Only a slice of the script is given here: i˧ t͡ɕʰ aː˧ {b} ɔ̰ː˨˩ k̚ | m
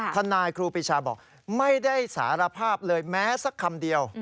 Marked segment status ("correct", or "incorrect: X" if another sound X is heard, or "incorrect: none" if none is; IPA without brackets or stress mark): correct